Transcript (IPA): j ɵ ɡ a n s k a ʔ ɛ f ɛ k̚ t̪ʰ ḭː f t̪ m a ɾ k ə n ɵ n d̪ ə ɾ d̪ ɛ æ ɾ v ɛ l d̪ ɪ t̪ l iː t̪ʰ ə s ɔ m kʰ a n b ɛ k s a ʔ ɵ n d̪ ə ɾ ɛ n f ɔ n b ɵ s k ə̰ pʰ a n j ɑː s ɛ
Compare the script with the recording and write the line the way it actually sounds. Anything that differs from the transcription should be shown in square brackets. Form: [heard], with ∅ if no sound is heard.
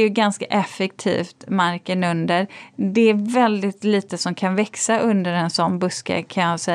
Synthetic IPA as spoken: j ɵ ɡ a n s k a ʔ ɛ f ɛ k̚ t̪ʰ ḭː f t̪ m a ɾ k ə n ɵ n d̪ ə ɾ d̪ ɛ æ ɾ v ɛ l d̪ ɪ t̪ l iː [t̪] ə s ɔ m kʰ a n [v] ɛ k s a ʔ ɵ n d̪ ə ɾ ɛ n [s] ɔ n b ɵ s k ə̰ [kʰ] a n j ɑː s ɛ